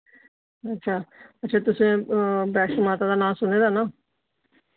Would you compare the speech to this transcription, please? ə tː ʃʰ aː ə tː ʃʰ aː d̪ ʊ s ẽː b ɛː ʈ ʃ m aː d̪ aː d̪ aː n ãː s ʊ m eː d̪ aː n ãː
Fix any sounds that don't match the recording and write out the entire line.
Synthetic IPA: ə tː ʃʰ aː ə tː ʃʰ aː t̪ ʊ s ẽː b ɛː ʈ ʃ m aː t̪ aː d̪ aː n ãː s ʊ n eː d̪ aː n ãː